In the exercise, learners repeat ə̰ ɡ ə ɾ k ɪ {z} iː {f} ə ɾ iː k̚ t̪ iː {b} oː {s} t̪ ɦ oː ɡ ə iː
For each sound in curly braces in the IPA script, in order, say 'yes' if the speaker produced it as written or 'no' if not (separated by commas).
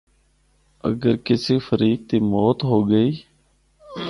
no, yes, no, no